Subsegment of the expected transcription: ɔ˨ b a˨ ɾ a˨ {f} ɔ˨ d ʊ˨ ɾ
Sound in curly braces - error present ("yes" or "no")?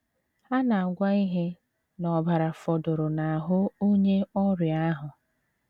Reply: no